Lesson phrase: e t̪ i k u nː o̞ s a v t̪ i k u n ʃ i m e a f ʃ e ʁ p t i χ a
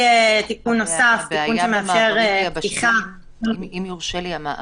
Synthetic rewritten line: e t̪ i k u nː o̞ s a f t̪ i k u n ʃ e m e a f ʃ e ʁ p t i χ a